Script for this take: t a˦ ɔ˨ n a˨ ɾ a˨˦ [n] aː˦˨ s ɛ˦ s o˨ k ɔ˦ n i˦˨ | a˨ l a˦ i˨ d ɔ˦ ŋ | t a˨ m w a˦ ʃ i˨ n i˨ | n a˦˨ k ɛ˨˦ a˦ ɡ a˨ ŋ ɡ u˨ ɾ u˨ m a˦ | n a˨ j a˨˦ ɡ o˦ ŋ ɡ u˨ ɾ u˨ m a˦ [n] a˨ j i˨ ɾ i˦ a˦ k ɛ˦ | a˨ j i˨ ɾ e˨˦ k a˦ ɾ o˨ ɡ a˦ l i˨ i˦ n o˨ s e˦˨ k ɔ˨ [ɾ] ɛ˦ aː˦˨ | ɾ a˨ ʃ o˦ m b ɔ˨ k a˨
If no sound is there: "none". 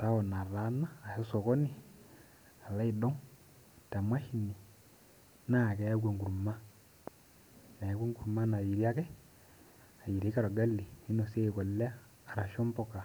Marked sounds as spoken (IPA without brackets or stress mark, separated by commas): n, n, l